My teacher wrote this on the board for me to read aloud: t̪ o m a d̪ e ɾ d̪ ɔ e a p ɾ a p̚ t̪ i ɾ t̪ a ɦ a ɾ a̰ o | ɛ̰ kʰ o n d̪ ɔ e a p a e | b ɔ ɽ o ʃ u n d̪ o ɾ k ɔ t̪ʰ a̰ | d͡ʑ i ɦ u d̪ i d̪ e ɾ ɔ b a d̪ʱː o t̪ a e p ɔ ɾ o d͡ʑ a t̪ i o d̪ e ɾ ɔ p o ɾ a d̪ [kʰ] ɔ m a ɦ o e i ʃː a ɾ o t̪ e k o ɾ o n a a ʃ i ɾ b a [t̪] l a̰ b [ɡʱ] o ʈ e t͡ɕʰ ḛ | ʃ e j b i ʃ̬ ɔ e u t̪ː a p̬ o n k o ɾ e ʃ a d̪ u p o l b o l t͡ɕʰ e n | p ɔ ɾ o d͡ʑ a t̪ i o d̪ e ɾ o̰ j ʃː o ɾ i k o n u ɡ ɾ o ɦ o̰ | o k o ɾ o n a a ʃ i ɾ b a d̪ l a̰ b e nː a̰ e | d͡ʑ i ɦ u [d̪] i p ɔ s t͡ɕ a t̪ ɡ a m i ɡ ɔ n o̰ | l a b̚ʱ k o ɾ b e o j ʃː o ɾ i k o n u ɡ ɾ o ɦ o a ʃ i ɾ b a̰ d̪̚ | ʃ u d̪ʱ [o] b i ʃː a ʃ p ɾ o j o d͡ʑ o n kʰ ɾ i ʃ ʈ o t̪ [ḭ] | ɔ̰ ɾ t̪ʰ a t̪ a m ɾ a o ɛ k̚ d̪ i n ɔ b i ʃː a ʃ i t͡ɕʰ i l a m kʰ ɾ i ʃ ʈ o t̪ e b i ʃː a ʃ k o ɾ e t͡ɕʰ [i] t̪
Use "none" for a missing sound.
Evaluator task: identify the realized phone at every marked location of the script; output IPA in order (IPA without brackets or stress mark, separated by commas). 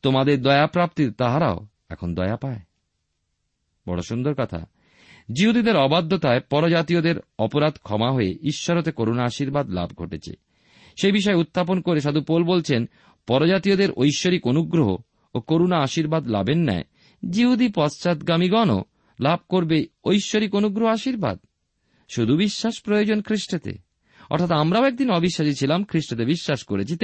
kʰ, d̪, ɡʱ, d̪, u, ḛ, i